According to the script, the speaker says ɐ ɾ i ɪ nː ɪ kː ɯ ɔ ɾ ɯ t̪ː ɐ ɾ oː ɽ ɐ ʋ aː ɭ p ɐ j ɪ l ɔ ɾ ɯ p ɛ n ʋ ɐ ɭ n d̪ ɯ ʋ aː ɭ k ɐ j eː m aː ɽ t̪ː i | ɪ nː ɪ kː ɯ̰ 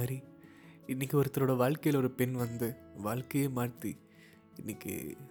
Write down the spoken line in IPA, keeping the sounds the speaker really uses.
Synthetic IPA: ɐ ɾ i ɪ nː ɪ kː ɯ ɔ ɾ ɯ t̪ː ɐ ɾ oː ɽ ɐ ʋ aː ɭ k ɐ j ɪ l ɔ ɾ ɯ p ɛ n ʋ ɐ n d̪ ɯ ʋ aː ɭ k ɐ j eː m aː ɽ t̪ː i | ɪ nː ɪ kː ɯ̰